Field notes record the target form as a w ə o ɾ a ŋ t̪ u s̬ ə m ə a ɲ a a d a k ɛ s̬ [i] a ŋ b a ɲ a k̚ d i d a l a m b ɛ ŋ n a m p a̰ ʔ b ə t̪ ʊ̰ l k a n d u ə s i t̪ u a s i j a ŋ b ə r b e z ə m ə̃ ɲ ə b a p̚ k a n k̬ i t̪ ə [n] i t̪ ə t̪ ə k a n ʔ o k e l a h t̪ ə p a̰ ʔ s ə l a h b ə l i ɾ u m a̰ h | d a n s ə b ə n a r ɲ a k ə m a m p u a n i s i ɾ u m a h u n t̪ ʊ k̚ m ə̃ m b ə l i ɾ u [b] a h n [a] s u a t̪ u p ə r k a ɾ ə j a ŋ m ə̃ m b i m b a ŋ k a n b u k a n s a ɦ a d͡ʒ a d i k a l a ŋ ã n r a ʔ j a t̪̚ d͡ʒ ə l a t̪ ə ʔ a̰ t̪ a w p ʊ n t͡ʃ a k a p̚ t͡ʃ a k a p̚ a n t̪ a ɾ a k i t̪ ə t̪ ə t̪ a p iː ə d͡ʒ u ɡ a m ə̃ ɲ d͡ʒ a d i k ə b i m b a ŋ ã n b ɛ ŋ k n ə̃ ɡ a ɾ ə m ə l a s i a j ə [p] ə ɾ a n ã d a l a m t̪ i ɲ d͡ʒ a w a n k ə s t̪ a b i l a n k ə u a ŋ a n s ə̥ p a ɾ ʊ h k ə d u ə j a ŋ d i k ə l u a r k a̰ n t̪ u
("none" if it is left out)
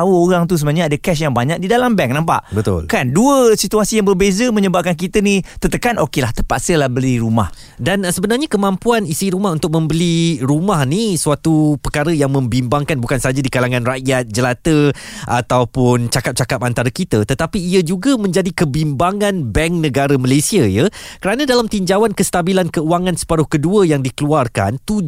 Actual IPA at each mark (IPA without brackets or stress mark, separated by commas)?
j, n, m, i, k